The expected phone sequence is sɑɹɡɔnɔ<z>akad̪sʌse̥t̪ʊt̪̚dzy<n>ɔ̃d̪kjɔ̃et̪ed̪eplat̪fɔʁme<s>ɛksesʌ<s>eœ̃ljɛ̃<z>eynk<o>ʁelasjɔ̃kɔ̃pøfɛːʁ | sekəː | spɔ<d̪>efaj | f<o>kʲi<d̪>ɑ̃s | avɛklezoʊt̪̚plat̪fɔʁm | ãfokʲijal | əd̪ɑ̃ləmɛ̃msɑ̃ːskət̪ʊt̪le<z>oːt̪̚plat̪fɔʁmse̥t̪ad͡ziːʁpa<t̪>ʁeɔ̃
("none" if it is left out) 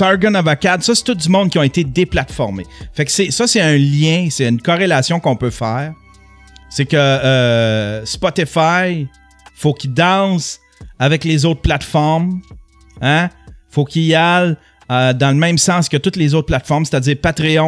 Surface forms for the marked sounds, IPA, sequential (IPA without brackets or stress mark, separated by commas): v, m, f, s, s, ɔ, t̪, o, d̪, z, t̪